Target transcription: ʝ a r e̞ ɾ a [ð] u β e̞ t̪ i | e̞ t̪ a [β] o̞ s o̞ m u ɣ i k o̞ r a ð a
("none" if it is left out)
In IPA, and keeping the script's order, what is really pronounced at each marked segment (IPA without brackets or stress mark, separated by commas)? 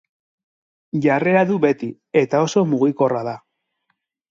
ð, none